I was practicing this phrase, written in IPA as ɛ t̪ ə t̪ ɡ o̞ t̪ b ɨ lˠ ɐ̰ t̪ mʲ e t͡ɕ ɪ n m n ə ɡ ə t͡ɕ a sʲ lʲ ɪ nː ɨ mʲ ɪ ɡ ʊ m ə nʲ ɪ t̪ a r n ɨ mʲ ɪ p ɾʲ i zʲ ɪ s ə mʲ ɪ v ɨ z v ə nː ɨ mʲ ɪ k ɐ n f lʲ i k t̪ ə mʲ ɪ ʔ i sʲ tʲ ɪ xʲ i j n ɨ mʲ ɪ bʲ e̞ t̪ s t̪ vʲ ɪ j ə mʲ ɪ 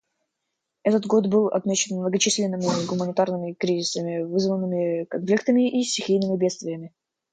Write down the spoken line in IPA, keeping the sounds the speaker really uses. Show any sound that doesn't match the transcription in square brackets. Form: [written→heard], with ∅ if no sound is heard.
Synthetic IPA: ɛ t̪ ə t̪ ɡ o̞ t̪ b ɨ lˠ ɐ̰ t̪ mʲ e t͡ɕ ɪ n m n ə ɡ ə t͡ɕ [a→i] sʲ lʲ ɪ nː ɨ mʲ ɪ ɡ ʊ m ə nʲ ɪ t̪ a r n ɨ mʲ ɪ [p→k] ɾʲ i zʲ ɪ s ə mʲ ɪ v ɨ z v ə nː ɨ mʲ ɪ k ɐ n f lʲ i k t̪ ə mʲ ɪ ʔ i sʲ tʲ ɪ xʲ i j n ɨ mʲ ɪ bʲ e̞ t̪ s t̪ vʲ ɪ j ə mʲ ɪ